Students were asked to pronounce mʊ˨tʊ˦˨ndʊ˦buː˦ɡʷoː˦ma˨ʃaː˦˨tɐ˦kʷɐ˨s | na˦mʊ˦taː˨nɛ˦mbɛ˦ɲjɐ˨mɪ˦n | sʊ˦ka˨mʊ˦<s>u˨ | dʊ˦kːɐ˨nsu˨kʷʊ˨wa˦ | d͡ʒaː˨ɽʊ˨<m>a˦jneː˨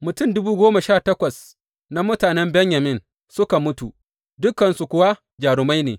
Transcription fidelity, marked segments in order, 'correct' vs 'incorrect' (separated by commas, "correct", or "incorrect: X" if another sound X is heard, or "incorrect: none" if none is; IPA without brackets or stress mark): incorrect: t, correct